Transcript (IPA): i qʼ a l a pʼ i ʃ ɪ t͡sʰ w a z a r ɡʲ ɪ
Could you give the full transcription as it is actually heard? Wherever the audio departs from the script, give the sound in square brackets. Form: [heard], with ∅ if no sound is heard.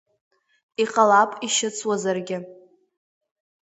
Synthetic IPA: i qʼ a l a pʼ i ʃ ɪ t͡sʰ w a z a r ɡʲ ɪ